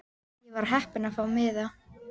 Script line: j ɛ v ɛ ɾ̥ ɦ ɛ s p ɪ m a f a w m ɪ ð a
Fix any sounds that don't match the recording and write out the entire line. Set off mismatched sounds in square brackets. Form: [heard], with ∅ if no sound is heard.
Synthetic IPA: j ɛ v [a] ɾ̥ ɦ ɛ [h] p ɪ [n] a f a w m ɪ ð a